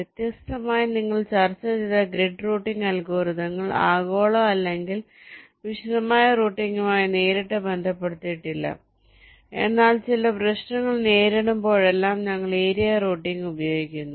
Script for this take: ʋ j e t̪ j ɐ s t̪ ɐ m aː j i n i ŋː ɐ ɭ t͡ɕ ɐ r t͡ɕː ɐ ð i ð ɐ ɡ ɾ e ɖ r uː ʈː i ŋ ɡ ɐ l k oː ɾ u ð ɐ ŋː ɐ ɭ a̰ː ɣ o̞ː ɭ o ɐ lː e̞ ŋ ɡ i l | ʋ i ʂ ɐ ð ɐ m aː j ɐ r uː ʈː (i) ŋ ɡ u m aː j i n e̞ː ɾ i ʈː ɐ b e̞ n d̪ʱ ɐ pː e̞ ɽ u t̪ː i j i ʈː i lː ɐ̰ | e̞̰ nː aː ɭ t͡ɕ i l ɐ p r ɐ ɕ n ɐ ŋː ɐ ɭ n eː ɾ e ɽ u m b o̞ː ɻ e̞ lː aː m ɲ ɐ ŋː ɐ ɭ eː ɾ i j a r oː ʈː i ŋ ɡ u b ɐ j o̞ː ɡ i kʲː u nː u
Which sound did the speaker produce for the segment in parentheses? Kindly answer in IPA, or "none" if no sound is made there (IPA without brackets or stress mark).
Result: i